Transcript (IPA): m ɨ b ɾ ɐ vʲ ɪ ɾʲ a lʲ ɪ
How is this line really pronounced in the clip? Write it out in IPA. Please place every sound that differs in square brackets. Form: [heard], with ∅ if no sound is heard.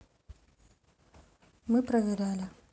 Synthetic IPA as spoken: m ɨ [p] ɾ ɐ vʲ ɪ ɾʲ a lʲ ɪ